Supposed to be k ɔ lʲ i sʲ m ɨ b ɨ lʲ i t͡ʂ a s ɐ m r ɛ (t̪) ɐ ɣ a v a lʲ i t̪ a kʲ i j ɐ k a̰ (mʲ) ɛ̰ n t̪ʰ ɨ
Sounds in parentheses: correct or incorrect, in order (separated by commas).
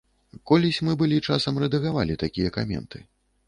incorrect, correct